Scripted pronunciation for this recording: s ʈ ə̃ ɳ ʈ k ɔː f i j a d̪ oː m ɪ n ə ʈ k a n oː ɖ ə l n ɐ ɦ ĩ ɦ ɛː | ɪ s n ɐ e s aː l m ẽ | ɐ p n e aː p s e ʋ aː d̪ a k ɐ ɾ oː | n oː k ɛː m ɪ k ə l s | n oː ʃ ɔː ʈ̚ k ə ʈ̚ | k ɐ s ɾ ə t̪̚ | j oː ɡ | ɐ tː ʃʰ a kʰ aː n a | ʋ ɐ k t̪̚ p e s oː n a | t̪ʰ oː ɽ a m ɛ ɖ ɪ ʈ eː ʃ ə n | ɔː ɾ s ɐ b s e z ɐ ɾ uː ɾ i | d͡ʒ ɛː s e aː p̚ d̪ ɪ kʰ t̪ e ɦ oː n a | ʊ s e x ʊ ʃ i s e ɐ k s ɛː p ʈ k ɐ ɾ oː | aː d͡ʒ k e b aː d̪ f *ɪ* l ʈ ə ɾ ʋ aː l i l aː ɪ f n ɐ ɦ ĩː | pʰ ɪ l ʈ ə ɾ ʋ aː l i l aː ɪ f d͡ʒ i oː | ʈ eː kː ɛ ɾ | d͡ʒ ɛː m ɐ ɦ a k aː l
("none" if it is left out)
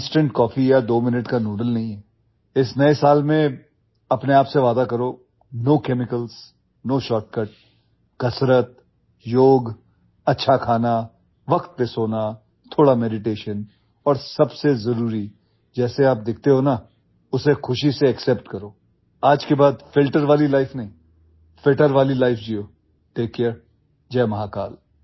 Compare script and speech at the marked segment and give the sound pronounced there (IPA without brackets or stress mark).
ɪ